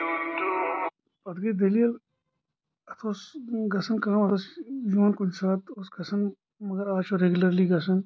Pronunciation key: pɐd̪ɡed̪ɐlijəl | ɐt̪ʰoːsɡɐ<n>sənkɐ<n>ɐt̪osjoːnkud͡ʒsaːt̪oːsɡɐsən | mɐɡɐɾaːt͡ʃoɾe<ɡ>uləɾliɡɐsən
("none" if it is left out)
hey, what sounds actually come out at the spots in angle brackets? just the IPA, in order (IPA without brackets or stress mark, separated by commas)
none, m, ɡ